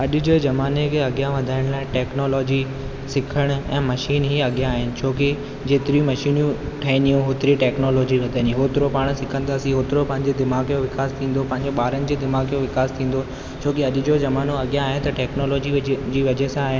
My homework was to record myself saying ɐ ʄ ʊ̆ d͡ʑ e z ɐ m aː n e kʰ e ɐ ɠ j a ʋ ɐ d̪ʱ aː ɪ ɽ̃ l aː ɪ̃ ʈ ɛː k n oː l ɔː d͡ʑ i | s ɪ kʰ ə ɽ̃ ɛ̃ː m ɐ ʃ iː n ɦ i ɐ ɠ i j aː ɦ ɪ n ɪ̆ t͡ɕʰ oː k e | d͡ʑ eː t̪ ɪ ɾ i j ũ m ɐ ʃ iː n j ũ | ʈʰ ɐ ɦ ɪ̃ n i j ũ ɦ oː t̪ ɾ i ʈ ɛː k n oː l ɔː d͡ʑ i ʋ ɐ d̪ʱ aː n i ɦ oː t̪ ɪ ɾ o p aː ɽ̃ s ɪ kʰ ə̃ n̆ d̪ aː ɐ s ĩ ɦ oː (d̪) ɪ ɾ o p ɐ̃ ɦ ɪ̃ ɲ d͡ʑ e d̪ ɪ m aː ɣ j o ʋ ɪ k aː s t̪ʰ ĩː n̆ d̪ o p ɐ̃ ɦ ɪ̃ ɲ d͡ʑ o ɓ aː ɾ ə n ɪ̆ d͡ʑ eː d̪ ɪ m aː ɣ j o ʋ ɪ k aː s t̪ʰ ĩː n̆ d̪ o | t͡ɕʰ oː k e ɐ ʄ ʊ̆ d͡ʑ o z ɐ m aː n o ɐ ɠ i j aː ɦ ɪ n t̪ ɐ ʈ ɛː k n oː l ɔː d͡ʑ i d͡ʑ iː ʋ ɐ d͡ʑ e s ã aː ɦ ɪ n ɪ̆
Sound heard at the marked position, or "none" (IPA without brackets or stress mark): t̪